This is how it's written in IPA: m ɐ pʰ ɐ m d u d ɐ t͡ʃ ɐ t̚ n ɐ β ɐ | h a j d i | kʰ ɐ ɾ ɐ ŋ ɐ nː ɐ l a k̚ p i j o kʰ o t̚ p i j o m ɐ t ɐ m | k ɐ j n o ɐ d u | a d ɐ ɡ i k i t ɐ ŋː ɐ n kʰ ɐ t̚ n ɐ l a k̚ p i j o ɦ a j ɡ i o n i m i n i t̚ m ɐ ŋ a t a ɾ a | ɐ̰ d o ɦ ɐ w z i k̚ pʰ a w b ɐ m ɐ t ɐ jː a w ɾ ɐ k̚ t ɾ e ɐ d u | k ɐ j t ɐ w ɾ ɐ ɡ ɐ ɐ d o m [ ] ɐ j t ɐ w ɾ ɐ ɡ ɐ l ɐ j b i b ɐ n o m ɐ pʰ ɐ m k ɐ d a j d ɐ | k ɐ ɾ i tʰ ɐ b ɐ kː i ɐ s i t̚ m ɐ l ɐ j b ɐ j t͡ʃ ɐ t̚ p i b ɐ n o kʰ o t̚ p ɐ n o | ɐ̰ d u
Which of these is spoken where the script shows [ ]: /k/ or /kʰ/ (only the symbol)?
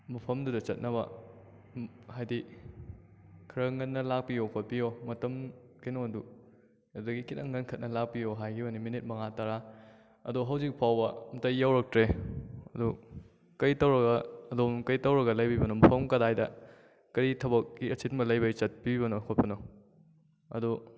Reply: k